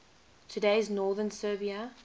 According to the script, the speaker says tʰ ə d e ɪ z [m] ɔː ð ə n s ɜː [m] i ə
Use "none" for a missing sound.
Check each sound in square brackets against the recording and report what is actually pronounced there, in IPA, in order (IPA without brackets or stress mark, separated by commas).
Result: n, b